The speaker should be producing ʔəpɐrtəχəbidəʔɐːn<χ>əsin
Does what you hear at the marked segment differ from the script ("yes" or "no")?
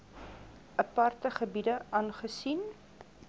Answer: no